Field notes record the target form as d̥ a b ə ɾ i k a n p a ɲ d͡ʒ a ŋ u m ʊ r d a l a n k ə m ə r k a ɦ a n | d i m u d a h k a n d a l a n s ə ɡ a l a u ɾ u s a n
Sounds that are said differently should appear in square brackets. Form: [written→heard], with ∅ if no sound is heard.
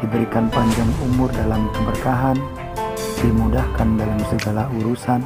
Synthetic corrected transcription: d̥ [a→i] b ə ɾ i k a n p a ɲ d͡ʒ a ŋ u m ʊ r d a l a [n→m] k ə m ə r k a ɦ a n | d i m u d a h k a n d a l a [n→m] s ə ɡ a l a u ɾ u s a n